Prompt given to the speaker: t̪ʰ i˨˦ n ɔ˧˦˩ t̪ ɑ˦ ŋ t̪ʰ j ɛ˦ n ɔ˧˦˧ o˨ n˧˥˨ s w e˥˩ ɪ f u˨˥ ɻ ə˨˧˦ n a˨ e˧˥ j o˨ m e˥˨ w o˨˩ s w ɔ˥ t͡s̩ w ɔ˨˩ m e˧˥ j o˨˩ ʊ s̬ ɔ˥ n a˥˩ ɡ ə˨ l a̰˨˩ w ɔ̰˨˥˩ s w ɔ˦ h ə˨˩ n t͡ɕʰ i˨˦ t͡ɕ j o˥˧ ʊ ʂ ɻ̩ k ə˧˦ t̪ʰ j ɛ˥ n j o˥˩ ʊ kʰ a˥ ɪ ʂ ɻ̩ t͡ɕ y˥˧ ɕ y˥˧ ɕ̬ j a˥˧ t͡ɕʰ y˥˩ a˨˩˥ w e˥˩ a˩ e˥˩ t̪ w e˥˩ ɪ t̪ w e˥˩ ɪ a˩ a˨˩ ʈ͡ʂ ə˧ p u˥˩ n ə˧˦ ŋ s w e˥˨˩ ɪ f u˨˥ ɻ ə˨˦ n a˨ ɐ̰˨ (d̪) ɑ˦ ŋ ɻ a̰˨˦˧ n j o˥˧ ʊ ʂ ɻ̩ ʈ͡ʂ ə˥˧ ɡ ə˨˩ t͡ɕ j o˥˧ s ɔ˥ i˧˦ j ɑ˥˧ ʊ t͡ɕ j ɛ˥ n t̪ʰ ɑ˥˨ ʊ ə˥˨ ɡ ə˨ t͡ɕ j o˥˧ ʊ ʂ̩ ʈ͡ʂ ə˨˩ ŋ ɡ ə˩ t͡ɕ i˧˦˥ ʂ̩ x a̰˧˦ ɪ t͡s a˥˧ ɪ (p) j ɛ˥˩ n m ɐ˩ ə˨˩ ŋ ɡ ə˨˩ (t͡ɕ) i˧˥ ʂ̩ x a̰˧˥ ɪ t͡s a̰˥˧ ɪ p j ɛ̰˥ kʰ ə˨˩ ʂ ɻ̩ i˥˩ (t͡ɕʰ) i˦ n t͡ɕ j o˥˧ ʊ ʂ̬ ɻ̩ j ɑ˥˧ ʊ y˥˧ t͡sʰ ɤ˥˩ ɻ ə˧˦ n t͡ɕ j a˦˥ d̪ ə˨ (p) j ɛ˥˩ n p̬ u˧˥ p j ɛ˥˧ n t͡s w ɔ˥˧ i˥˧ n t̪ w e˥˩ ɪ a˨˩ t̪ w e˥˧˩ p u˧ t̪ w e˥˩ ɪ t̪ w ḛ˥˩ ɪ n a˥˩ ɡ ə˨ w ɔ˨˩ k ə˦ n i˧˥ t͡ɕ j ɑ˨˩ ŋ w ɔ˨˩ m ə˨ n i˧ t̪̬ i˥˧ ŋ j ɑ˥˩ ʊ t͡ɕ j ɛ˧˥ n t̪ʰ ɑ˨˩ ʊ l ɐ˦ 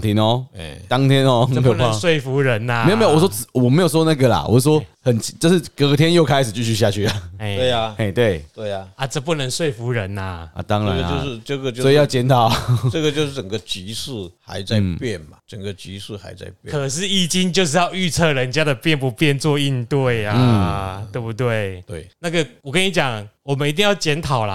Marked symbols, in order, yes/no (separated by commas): no, yes, yes, no, yes